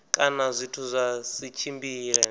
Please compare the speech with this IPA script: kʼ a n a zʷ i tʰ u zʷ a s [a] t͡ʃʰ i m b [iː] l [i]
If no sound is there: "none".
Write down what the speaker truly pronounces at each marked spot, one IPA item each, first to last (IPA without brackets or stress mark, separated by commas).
i, iː, ɛ